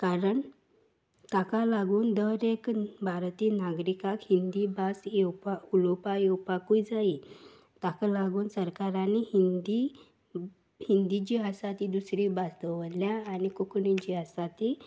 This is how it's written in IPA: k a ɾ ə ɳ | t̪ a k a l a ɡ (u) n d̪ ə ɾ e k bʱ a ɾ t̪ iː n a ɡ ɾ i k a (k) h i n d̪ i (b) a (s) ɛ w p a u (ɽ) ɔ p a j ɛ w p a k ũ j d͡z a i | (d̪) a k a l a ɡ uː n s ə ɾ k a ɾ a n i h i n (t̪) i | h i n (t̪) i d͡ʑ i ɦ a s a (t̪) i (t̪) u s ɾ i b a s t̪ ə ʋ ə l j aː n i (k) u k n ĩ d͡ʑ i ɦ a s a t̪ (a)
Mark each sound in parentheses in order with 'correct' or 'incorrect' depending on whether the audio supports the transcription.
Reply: incorrect, correct, correct, correct, incorrect, incorrect, incorrect, incorrect, correct, incorrect, correct, incorrect

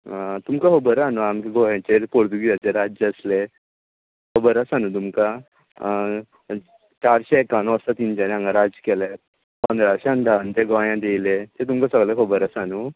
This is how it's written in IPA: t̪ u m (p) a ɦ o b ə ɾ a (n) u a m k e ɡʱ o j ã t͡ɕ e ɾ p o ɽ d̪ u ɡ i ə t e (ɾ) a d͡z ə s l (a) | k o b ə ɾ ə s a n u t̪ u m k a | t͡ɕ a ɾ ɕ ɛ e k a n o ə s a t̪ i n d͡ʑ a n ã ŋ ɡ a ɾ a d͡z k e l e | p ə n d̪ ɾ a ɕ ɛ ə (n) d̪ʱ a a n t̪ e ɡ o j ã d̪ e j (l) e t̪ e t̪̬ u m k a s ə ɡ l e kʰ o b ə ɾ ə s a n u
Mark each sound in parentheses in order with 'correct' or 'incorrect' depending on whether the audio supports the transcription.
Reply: incorrect, correct, correct, incorrect, correct, correct

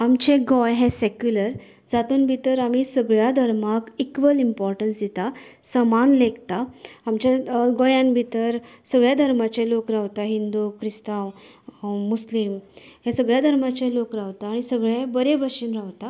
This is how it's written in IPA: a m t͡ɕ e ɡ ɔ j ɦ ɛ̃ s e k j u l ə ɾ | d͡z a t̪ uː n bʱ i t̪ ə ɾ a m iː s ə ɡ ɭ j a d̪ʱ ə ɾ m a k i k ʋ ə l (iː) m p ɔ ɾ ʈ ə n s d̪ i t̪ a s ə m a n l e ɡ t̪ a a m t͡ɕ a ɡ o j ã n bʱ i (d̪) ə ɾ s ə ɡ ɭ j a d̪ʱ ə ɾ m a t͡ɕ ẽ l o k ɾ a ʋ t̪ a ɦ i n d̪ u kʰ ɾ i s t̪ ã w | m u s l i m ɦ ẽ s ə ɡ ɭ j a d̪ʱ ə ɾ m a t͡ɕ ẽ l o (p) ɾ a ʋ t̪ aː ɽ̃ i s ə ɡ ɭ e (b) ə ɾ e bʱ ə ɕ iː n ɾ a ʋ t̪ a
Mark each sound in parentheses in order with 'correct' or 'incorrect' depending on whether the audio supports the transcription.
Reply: incorrect, incorrect, incorrect, correct

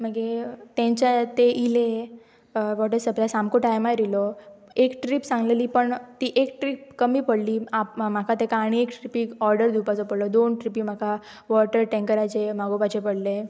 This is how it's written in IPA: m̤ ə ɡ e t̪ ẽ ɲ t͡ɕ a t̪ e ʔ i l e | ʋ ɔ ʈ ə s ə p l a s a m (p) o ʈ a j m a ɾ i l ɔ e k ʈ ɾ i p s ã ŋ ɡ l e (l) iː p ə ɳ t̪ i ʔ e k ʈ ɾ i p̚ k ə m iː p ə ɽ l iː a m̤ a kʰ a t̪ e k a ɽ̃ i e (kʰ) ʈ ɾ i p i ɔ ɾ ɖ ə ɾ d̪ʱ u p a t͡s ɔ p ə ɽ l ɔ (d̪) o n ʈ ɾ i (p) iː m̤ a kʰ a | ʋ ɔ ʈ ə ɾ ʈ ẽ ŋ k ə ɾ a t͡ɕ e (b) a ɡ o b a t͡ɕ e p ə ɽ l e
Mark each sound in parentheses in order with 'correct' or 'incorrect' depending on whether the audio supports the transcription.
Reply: incorrect, correct, incorrect, correct, correct, incorrect

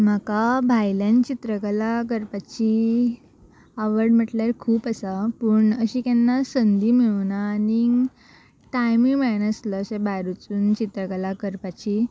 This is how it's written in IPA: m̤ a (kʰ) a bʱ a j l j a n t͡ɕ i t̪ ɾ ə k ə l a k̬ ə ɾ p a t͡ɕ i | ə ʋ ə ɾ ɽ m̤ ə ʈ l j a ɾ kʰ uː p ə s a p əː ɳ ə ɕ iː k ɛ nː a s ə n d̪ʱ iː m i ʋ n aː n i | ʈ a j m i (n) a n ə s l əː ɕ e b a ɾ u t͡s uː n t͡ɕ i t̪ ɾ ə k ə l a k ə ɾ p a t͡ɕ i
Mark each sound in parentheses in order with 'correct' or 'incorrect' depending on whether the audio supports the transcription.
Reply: incorrect, incorrect

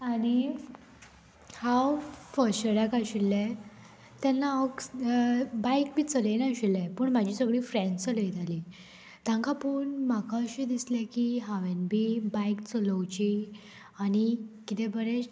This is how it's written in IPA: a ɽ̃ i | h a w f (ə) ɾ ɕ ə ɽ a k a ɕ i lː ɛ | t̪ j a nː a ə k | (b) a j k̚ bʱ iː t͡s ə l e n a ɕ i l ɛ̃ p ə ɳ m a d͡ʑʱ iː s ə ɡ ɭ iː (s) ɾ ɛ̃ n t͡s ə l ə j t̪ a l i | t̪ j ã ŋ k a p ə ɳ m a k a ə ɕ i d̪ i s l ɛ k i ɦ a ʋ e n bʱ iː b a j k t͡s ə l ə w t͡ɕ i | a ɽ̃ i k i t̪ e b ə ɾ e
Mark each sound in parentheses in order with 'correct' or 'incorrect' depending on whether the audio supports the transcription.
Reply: correct, correct, incorrect

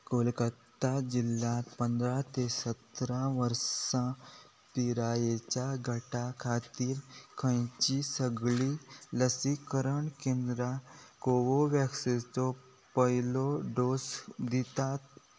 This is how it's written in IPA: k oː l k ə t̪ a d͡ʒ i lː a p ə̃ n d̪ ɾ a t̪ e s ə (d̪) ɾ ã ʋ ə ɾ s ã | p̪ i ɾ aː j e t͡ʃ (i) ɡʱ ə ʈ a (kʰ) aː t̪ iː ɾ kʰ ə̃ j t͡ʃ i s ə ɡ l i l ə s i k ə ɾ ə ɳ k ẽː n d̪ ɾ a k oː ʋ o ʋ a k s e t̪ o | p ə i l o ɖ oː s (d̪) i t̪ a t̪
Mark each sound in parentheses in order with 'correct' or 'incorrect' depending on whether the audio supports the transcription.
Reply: incorrect, incorrect, correct, correct

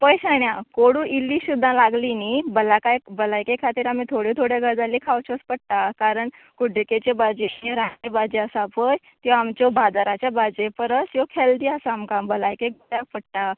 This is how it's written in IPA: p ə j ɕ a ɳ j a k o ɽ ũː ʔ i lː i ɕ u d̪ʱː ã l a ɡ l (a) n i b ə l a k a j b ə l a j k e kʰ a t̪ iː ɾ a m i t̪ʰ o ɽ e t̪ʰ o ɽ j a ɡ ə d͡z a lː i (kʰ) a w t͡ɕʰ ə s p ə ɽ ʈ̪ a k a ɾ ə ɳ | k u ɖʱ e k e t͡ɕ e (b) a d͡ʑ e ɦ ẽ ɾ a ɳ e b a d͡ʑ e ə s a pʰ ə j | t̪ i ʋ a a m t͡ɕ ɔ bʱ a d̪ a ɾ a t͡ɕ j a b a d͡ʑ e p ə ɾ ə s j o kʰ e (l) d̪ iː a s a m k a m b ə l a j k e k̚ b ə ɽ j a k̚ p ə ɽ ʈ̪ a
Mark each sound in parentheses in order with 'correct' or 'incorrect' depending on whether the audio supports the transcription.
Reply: incorrect, correct, correct, correct

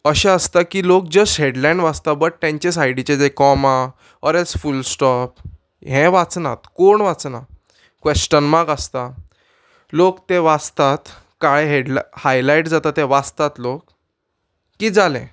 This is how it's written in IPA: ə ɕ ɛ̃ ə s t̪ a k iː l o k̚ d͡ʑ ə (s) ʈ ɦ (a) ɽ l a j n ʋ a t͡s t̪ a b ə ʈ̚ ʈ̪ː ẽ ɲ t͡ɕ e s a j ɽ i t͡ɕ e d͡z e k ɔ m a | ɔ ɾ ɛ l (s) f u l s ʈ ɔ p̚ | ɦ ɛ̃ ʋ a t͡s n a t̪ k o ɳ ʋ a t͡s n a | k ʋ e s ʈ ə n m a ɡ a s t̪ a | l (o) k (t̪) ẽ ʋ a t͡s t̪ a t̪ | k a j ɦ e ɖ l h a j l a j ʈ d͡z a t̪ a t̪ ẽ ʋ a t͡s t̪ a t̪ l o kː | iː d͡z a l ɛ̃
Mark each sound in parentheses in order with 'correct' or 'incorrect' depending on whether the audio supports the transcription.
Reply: correct, incorrect, correct, correct, correct

